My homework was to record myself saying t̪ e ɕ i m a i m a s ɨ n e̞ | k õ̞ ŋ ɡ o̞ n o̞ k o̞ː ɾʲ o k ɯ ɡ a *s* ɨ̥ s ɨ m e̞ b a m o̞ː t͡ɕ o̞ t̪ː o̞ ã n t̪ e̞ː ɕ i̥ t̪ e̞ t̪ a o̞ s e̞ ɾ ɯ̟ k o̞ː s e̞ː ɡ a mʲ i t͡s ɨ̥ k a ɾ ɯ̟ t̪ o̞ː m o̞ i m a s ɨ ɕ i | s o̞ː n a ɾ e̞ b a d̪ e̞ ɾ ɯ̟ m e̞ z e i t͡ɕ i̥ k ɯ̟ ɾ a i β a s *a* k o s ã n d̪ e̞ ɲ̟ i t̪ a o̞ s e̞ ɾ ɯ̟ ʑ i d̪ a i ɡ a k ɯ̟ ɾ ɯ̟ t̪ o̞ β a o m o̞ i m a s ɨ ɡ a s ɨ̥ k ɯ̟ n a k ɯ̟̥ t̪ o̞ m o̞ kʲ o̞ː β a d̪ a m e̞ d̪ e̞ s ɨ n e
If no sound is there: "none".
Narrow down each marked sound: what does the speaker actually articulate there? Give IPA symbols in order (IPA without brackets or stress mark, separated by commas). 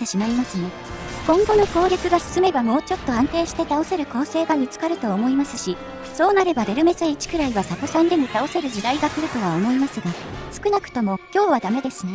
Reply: s, a